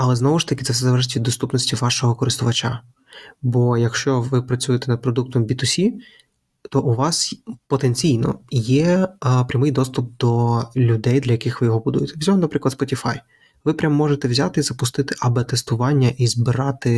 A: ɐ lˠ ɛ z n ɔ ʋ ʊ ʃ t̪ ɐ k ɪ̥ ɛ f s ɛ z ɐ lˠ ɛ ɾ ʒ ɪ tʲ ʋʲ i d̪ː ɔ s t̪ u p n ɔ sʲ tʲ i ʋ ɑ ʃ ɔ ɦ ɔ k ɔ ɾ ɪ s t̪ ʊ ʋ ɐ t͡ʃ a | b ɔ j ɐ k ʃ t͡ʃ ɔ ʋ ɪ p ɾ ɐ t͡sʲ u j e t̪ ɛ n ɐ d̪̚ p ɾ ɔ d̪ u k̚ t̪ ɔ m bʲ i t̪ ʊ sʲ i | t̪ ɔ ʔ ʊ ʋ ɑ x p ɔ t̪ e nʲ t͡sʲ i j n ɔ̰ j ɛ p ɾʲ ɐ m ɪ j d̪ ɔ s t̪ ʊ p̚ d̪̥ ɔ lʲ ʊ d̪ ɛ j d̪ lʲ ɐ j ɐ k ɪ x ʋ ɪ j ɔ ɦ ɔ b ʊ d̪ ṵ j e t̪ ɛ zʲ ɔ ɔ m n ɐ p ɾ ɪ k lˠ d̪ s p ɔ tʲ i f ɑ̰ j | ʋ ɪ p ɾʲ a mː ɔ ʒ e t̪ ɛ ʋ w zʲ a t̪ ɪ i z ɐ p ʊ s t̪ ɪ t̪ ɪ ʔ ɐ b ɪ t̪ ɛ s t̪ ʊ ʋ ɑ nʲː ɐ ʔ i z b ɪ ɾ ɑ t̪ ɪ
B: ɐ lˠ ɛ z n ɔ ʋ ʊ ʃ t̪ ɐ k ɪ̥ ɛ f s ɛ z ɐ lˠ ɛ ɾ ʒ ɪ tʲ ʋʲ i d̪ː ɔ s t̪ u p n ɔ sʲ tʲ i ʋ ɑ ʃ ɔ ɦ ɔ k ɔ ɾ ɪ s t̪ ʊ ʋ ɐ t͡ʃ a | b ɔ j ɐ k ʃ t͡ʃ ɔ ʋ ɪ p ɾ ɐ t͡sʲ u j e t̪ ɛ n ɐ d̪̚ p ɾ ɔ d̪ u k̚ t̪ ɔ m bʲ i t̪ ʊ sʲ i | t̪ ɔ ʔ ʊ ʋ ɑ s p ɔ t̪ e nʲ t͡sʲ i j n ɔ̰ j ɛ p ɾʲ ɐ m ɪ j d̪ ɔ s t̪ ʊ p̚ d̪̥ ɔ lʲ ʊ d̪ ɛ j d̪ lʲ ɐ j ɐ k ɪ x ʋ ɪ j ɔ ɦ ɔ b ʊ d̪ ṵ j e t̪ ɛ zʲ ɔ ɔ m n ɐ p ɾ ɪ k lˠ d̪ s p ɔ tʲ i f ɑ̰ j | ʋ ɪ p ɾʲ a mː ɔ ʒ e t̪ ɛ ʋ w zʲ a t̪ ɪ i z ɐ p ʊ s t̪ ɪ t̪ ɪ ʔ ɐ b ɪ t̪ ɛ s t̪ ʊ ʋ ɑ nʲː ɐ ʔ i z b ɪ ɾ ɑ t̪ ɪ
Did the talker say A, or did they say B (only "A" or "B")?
B